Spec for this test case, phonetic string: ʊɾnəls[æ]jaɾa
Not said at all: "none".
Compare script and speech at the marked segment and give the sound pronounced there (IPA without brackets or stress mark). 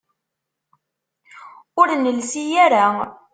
i